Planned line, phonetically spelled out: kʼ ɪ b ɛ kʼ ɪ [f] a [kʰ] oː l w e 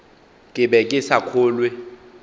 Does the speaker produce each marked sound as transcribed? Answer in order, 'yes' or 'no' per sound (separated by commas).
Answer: no, yes